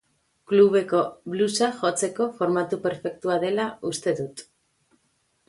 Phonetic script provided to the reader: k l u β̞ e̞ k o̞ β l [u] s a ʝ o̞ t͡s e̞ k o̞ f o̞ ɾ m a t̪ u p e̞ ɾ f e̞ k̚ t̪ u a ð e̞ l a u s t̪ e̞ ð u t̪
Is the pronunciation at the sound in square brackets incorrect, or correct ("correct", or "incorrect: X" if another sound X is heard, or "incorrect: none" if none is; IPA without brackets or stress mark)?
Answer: correct